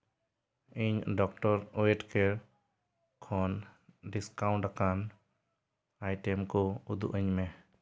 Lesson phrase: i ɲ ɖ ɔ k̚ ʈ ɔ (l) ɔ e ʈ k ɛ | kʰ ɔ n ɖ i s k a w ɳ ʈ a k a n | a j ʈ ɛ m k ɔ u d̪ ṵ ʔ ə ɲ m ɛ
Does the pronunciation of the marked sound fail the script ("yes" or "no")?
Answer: yes